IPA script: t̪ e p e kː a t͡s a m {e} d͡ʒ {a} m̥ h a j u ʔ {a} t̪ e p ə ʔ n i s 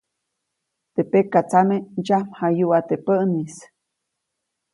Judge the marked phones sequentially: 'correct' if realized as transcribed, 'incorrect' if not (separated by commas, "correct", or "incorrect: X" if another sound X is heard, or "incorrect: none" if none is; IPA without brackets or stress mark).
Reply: correct, correct, correct